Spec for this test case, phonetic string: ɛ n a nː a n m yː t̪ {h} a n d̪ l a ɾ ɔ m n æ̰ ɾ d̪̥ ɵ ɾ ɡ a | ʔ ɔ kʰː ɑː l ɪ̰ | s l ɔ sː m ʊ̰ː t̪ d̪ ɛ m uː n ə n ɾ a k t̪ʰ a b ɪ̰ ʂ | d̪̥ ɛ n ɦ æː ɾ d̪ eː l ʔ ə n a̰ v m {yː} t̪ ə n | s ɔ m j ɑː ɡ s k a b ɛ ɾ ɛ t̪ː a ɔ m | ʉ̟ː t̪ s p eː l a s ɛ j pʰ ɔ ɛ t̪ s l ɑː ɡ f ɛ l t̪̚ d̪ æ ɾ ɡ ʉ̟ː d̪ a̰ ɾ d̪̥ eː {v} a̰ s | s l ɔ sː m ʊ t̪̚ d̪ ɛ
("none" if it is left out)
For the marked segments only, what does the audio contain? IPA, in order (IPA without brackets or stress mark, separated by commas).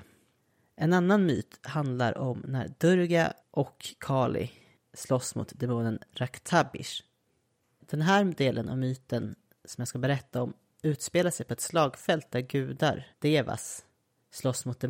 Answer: h, yː, v